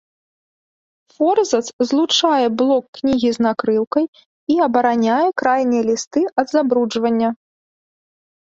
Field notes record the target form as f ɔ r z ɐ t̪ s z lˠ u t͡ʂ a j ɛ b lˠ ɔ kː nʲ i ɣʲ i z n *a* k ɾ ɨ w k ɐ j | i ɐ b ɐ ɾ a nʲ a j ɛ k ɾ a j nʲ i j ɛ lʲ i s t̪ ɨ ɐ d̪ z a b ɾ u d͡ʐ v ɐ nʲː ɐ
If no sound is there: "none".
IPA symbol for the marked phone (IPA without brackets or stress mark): a